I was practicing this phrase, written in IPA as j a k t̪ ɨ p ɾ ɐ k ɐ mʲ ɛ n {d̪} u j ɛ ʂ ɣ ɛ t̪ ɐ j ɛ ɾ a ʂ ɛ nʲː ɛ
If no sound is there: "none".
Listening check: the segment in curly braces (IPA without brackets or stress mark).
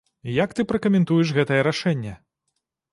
t̪